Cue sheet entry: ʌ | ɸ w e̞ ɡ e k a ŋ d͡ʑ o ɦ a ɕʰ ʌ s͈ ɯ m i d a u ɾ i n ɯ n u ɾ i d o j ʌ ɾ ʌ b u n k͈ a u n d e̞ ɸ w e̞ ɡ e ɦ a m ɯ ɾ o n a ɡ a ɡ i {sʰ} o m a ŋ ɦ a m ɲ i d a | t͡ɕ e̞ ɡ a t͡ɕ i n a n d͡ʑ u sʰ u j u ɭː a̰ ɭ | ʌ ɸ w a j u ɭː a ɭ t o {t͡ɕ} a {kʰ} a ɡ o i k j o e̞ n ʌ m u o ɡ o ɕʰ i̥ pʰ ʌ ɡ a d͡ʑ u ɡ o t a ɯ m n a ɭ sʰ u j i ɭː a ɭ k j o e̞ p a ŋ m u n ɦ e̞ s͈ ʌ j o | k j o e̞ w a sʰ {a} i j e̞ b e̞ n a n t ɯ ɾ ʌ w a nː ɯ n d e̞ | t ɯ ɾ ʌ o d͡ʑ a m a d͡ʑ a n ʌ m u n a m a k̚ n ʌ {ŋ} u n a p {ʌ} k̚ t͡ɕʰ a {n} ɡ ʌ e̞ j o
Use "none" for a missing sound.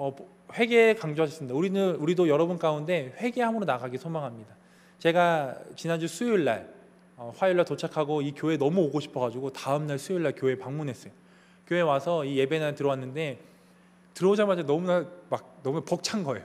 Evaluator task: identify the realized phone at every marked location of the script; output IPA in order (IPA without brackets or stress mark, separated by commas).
sʰ, t͡ɕʰ, kʰ, ʌ, m, ʌ, n